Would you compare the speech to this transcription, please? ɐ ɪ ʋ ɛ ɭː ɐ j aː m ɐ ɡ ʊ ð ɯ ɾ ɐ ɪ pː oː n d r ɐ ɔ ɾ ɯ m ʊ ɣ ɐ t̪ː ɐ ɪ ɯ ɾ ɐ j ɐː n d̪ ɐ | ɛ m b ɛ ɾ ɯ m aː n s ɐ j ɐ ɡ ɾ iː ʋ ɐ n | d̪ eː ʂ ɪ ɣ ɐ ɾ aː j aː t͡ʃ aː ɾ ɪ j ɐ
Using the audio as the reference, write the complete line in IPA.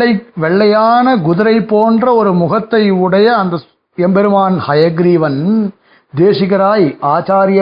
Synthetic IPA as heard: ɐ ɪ ʋ ɛ ɭː ɐ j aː n ɐ ɡ ʊ ð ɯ ɾ ɐ ɪ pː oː n d r ɐ ɔ ɾ ɯ m ʊ ɣ ɐ t̪ː ɐ ɪ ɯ ɽ ɐ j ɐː n d̪ ɐ | ɛ m b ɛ ɾ ɯ m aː n h ɐ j ɐ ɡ ɾ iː ʋ ɐ n | d̪ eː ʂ ɪ ɣ ɐ ɾ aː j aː t͡ʃ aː ɾ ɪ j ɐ